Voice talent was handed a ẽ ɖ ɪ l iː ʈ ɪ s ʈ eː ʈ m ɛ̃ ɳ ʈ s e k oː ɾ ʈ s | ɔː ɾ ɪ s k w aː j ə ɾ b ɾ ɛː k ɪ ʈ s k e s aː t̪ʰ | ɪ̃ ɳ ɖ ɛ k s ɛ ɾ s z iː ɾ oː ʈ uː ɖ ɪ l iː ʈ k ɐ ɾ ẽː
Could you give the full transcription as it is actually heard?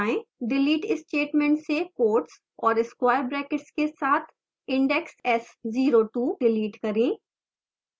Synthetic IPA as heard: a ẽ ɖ ɪ l iː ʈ ɪ s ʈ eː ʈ m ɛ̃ ɳ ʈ s e k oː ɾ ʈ s | ɔː ɾ ɪ s k w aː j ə ɾ b ɾ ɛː k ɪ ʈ s k e s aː t̪ʰ | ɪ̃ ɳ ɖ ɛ k s ɛ s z iː ɾ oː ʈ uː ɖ ɪ l iː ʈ k ɐ ɾ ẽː